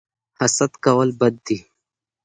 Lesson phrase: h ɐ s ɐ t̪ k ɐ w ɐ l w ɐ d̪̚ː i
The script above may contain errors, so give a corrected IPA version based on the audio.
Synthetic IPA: h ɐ s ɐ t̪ k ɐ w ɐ l b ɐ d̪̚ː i